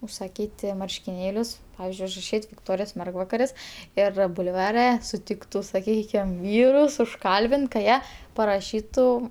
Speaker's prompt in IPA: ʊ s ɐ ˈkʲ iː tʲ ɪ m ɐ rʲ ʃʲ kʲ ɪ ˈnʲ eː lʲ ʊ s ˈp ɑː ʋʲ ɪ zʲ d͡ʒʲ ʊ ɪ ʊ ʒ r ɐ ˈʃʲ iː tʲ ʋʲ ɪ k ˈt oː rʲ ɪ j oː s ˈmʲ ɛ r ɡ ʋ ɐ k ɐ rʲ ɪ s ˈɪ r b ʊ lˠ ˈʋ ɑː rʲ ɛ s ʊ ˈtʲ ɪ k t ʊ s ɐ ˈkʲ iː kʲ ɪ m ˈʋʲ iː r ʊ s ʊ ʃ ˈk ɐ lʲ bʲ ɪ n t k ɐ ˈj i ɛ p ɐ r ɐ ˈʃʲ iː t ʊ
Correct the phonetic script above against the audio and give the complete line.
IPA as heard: ʊ s ɐ ˈkʲ iː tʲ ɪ m ɐ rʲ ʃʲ kʲ ɪ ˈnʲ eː lʲ ʊ s ˈp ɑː ʋʲ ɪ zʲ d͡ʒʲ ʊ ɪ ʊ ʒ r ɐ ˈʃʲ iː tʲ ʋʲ ɪ k ˈt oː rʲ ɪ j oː s ˈmʲ ɛ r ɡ ʋ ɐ k ɐ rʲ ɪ s ˈɪ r b ʊ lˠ ˈʋ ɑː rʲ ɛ s ʊ ˈtʲ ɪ k t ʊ s ɐ ˈkʲ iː kʲ ɪ m ˈʋʲ iː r ʊ s ʊ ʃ ˈk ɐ lʲ bʲ ɪ n t k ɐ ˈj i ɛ p ɐ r ɐ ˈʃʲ iː t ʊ